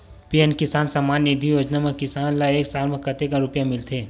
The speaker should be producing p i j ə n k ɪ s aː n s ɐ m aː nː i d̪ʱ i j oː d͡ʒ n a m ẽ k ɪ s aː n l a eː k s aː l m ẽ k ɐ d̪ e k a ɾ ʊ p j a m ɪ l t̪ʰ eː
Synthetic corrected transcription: p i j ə n k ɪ s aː n s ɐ m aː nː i d̪ʱ i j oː d͡ʒ n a m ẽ k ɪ s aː n l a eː k s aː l m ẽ k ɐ t̪ e k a ɾ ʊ p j a m ɪ l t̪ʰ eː